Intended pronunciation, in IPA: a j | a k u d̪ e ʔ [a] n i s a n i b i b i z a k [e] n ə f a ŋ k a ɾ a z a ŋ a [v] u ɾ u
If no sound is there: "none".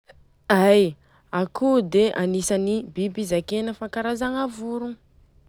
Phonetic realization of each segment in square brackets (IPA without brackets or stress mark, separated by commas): a, e, v